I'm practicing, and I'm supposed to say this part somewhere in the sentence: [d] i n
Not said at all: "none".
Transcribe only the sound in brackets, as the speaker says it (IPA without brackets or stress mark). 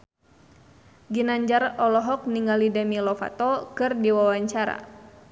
ɡ